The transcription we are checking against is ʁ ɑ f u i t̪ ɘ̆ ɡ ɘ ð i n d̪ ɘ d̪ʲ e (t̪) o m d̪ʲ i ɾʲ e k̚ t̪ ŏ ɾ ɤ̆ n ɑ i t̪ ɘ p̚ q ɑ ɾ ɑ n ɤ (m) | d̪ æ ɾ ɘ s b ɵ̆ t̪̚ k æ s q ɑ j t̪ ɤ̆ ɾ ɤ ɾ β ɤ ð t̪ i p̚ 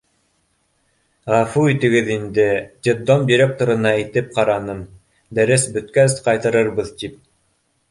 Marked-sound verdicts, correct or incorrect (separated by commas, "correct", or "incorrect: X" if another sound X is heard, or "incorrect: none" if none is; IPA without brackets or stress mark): incorrect: d̪, correct